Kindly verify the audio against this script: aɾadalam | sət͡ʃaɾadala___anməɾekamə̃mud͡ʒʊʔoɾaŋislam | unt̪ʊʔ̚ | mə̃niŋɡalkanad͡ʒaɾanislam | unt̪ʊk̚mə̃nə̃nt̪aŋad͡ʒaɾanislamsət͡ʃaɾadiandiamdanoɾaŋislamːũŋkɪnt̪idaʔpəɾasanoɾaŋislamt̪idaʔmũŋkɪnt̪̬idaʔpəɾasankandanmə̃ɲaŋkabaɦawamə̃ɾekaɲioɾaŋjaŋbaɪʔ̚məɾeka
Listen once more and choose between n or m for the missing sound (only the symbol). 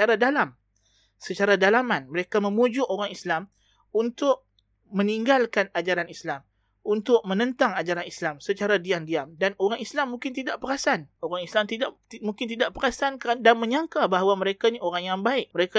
m